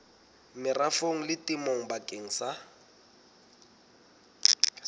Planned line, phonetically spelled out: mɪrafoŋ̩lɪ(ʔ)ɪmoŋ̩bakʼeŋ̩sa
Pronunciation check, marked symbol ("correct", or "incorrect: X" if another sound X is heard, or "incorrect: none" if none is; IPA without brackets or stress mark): incorrect: t